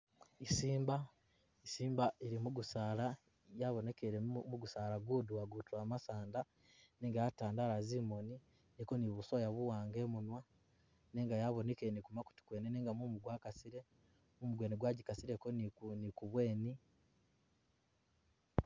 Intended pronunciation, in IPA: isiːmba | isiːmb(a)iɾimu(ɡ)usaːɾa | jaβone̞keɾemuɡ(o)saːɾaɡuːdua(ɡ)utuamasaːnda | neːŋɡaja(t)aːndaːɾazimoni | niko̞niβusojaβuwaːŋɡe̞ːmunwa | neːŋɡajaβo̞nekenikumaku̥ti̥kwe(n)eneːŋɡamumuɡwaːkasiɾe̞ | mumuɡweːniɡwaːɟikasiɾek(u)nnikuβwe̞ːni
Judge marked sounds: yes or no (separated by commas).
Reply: yes, yes, no, yes, yes, yes, no